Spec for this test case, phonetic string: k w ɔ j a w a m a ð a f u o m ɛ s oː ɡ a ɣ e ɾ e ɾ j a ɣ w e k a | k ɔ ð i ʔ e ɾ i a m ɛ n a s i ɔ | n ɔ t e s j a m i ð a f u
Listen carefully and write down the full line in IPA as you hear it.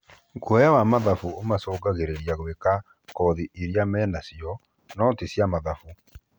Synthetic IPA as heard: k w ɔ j a w a m a ð a f u o m a s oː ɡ a ɣ e ɾ e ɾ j a ɣ w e k a | k ɔ ð i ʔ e ɾ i a m ɛ n a s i ɔ | n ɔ t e s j a m a ð a f u